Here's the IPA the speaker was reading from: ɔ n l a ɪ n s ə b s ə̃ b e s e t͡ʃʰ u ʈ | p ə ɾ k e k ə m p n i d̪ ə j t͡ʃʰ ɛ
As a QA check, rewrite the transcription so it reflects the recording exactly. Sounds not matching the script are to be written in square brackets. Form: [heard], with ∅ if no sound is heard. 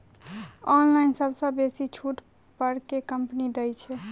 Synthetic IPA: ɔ n l a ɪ n s ə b s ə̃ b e s [i] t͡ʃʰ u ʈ | p ə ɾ k e k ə m p n i d̪ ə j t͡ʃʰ ɛ